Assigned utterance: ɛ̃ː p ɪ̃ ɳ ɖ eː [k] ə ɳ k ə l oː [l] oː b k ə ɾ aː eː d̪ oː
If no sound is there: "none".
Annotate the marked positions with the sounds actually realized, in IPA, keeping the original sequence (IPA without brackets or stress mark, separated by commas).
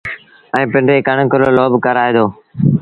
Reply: k, l